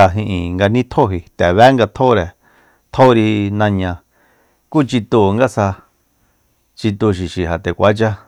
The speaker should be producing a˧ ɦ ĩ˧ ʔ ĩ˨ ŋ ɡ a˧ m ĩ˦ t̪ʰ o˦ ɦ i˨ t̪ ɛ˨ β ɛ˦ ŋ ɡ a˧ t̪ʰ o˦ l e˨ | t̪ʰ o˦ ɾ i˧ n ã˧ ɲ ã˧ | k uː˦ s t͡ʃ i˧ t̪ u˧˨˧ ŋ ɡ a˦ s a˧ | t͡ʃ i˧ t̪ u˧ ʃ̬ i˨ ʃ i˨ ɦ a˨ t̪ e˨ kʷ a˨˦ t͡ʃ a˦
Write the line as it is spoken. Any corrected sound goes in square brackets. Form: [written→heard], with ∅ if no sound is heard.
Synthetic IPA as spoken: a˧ ɦ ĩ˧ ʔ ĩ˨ ŋ ɡ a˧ [m→n] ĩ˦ t̪ʰ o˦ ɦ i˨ t̪ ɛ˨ β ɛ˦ ŋ ɡ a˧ t̪ʰ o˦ [l→ɾ] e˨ | t̪ʰ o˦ ɾ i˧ n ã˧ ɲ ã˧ | k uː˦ [s→∅] t͡ʃ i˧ t̪ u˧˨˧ ŋ ɡ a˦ s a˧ | t͡ʃ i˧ t̪ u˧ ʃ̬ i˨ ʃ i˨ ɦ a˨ t̪ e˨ kʷ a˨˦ t͡ʃ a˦